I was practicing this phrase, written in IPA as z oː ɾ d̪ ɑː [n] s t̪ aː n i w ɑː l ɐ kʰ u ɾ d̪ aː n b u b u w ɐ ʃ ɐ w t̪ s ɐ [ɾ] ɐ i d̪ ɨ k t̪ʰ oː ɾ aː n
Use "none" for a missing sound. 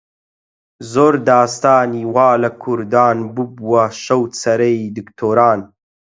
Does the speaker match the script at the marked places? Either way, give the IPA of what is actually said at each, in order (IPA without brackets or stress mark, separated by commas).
none, ɾ